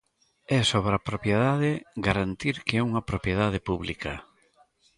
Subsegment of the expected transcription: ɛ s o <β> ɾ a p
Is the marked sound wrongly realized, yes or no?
no